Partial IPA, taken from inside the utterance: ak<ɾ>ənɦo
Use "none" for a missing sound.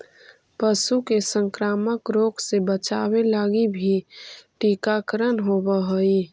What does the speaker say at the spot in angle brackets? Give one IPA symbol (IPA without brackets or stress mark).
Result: ɾ